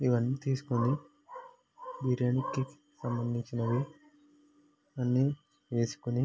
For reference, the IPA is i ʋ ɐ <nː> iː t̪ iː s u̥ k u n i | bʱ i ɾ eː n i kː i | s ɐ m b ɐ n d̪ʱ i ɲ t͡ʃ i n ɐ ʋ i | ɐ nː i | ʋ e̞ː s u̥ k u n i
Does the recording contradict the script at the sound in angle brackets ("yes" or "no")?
no